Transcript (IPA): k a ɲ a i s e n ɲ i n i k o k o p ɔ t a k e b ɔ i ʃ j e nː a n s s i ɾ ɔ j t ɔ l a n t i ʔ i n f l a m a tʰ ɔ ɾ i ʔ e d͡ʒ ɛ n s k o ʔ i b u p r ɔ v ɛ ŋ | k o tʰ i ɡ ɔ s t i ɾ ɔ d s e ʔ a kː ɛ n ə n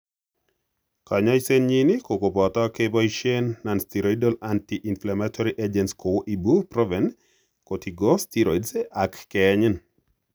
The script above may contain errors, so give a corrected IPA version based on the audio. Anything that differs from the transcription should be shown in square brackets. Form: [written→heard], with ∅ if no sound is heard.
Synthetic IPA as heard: k a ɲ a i s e n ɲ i n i k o k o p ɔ t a k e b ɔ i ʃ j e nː a n s [s→t] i ɾ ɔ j [t→d] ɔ l a n t i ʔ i n f l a m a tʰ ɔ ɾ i ʔ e d͡ʒ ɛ n s k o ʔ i b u p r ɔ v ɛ [ŋ→n] | k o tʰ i ɡ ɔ s t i ɾ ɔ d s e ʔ a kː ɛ [n→ɲ] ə n